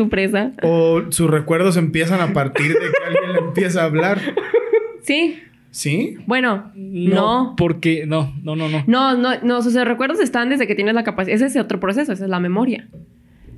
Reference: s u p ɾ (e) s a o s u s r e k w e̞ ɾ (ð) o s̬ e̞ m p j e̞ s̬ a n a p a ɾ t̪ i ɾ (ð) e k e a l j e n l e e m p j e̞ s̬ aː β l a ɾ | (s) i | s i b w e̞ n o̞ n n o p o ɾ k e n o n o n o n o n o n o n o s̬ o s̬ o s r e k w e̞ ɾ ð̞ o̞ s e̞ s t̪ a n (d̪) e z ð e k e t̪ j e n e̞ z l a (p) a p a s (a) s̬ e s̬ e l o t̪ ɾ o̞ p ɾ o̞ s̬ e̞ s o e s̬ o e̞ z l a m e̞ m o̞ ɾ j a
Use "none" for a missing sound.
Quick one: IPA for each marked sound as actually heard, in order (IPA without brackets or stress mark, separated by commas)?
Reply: e, ð, ð, s, d̪, k, e